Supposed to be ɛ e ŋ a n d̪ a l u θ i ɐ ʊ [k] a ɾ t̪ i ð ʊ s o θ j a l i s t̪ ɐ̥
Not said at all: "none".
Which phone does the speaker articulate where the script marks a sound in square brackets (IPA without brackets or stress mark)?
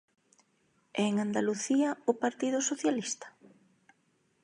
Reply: p